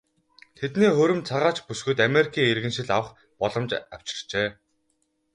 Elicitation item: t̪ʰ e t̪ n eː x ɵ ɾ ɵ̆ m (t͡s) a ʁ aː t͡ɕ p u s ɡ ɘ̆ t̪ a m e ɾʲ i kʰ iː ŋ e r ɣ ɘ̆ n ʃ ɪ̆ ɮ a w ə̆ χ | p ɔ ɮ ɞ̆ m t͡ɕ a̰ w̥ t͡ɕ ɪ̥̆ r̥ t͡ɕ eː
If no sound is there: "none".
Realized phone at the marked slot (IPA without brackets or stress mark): t͡sʰ